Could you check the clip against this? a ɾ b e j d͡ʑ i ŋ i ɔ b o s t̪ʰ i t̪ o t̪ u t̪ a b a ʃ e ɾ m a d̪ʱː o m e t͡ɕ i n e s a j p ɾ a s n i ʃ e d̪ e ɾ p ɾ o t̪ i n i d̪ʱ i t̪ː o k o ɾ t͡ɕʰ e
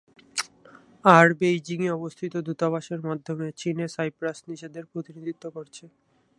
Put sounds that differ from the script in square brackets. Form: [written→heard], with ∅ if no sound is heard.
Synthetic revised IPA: a ɾ b e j d͡ʑ i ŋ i ɔ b o s t̪ʰ i t̪ o [t̪→d̪] u t̪ a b a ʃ e ɾ m a d̪ʱː o m e t͡ɕ i n e s a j p ɾ a s n i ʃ e d̪ e ɾ p ɾ o t̪ i n i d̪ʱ i t̪ː o k o ɾ t͡ɕʰ e